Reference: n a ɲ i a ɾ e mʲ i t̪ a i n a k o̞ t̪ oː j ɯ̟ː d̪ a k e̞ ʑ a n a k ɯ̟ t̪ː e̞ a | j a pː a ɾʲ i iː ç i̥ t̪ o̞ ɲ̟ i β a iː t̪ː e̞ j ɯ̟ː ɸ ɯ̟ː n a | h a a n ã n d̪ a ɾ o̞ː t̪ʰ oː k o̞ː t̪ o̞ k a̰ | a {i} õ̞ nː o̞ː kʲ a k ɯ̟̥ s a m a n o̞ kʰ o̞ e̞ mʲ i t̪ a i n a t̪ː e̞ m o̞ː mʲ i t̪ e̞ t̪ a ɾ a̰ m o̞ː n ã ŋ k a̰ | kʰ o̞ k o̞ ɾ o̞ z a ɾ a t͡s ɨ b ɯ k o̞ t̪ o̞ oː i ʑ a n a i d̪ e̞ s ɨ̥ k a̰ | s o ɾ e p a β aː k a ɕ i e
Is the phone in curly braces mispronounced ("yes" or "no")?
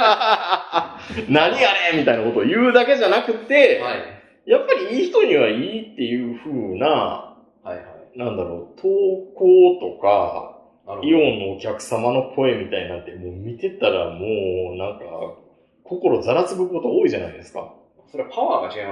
no